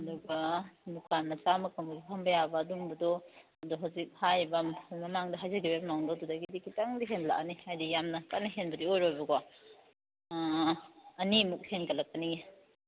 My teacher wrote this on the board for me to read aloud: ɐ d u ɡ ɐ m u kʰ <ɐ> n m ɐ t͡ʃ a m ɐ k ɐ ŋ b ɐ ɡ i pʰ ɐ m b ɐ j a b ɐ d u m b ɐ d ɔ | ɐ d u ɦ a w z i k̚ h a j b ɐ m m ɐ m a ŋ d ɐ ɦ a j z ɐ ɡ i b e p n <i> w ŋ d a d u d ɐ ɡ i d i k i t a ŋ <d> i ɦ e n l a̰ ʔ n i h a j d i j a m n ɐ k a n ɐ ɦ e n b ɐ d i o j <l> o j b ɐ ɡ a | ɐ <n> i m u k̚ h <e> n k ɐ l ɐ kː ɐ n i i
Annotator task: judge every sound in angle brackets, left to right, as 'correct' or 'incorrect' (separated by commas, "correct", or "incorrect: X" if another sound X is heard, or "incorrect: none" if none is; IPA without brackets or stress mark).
incorrect: a, incorrect: a, correct, incorrect: ɾ, correct, correct